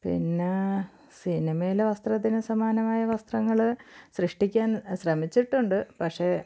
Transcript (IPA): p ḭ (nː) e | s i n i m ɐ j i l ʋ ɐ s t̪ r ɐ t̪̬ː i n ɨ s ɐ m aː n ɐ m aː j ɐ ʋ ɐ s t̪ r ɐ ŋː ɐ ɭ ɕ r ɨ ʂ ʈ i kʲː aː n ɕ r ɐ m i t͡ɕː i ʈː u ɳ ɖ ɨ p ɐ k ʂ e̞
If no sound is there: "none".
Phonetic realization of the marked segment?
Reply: nː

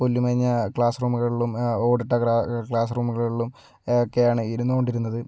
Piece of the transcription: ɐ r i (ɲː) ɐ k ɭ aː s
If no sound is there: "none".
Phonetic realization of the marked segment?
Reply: ɲː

